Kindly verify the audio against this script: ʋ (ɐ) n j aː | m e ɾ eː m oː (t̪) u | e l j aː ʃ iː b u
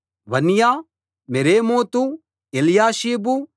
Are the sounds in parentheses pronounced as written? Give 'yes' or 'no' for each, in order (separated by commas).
yes, yes